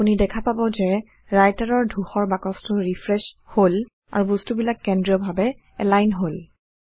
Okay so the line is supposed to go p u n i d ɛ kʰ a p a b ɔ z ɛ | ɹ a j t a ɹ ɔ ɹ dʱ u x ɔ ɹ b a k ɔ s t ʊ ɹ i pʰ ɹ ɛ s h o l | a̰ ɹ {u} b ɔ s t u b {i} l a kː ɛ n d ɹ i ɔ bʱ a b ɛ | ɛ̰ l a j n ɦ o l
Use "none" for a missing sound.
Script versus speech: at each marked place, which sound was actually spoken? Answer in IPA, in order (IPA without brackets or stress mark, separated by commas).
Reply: u, i